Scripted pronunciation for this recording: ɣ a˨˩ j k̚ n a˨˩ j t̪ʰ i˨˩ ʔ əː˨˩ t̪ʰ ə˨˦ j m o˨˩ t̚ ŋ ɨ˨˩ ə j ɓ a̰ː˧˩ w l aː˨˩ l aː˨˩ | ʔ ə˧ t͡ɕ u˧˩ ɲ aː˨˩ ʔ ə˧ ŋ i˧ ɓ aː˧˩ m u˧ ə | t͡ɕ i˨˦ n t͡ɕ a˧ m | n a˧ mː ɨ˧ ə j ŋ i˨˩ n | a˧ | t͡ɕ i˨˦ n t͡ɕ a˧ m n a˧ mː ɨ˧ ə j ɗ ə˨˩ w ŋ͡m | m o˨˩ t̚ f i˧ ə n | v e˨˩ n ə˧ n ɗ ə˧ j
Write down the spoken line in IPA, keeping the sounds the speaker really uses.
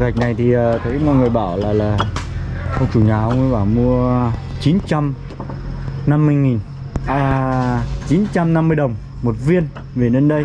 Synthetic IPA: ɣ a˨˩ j k̚ n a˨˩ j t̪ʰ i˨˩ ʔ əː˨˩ t̪ʰ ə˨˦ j m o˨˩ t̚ ŋ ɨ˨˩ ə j ɓ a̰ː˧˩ w l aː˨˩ l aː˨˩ | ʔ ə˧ t͡ɕ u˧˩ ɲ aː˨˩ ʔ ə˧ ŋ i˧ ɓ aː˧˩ m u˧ ə | t͡ɕ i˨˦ n t͡ɕ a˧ m | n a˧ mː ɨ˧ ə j ŋ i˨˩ n | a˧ | t͡ɕ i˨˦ n t͡ɕ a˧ m n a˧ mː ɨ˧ ə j ɗ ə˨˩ w ŋ͡m | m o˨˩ t̚ v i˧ ə n | v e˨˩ n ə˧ n ɗ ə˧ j